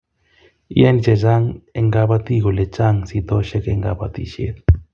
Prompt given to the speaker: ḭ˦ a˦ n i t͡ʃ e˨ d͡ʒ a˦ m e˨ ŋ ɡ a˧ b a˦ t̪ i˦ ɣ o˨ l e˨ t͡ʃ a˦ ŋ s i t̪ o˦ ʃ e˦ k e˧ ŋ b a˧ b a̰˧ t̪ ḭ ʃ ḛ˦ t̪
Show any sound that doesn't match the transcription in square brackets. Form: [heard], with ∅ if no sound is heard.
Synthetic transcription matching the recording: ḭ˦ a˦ n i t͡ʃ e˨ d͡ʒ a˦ [ŋ] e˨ ŋ ɡ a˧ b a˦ t̪ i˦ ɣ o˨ l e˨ t͡ʃ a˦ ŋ s i t̪ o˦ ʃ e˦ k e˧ ŋ [ɡ] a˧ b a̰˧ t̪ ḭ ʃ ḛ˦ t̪